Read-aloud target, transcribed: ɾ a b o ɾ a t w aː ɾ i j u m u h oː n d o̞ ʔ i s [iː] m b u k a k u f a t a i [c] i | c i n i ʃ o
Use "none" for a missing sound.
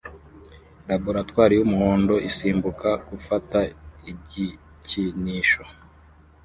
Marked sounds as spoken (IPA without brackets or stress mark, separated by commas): iː, ɟ